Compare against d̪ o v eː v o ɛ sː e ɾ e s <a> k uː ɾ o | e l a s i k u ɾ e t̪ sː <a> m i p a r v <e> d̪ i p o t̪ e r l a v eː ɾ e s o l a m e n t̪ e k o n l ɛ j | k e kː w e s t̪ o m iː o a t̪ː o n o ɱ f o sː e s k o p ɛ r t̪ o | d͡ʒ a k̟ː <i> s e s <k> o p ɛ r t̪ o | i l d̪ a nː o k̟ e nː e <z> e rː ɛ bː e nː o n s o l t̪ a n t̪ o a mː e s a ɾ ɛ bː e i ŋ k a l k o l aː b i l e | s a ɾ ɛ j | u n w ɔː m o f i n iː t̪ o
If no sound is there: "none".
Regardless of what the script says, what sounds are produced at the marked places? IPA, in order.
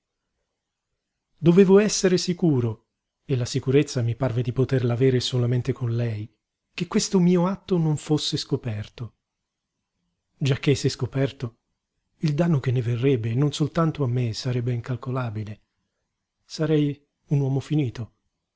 i, a, e, e, k, v

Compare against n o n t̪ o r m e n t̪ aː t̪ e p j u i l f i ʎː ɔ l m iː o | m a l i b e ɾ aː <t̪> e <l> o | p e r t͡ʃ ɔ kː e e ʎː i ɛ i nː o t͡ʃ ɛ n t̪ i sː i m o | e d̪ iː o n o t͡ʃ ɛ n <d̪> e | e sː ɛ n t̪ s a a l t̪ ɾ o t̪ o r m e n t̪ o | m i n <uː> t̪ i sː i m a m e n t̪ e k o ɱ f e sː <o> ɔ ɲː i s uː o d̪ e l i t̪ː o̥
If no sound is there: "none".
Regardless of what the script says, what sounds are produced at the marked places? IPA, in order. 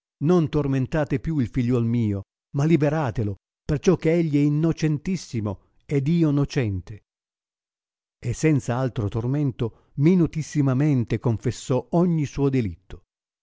t̪, l, t̪, u, ɔ

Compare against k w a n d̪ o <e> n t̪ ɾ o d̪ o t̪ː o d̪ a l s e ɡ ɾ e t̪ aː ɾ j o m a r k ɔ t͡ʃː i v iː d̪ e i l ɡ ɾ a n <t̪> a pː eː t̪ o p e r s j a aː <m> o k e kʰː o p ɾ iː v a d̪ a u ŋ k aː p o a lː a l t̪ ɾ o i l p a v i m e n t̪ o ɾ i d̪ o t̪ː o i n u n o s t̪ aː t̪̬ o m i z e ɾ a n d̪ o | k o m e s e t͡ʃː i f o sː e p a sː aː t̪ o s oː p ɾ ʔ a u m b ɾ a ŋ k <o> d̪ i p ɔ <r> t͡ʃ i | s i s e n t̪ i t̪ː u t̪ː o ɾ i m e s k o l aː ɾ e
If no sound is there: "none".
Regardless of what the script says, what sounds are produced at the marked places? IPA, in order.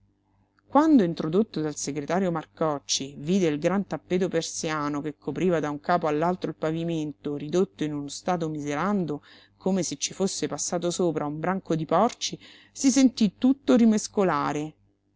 i, t̪, n, o, r

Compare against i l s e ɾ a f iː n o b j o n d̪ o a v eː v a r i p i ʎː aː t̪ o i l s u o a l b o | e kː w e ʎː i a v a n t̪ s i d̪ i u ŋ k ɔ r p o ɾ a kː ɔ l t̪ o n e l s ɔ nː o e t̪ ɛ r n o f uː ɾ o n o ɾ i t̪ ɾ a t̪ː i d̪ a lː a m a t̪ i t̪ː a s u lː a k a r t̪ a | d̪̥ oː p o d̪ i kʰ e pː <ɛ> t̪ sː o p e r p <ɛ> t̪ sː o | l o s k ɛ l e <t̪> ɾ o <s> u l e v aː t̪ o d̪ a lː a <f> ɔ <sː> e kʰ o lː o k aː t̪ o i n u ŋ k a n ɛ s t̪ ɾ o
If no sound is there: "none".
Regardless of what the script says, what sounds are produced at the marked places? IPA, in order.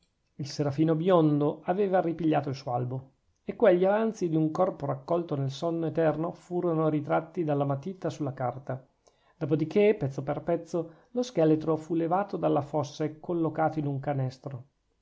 ɛ, ɛ, t̪, f, f, sː

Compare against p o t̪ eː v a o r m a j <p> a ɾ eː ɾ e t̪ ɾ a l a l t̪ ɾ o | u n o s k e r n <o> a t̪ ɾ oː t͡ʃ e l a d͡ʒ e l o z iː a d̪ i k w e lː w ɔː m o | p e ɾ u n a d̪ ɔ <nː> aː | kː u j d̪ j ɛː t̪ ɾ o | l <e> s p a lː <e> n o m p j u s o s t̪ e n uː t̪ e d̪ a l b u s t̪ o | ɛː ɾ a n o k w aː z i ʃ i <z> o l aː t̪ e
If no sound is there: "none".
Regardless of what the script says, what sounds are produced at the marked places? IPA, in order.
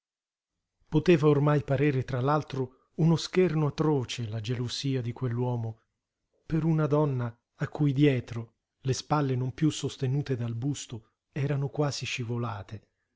p, o, nː, e, e, v

